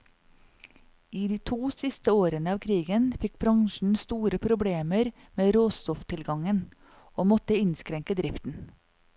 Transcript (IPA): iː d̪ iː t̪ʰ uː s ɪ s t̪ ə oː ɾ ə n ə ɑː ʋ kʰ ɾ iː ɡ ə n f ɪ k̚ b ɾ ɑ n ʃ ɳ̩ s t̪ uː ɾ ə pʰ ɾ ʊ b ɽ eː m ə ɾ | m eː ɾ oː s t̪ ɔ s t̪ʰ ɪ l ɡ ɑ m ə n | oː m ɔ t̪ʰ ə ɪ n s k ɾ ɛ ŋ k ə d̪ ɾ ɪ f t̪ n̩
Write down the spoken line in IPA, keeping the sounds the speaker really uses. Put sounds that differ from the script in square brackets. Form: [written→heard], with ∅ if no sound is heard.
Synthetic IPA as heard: iː d̪ iː t̪ʰ uː s ɪ s t̪ ə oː ɾ ə n ə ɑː ʋ kʰ ɾ iː ɡ ə n f ɪ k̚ b ɾ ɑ [n→ŋ] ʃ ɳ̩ s t̪ uː ɾ ə pʰ ɾ ʊ b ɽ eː m ə ɾ | m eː ɾ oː s t̪ ɔ [s→f] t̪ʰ ɪ l ɡ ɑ [m→ŋ] ə n | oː m ɔ [t̪ʰ→t̪] ə ɪ n s k ɾ ɛ ŋ k ə d̪ ɾ ɪ f t̪ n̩